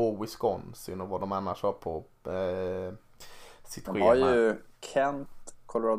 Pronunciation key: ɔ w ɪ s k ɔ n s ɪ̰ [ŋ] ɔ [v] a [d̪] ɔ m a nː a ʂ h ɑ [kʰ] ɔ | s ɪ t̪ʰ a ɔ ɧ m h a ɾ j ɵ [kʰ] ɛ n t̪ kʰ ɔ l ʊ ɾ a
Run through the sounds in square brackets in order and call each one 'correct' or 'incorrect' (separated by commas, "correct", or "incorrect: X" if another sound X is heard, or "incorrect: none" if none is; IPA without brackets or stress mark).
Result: incorrect: n, correct, correct, incorrect: pʰ, correct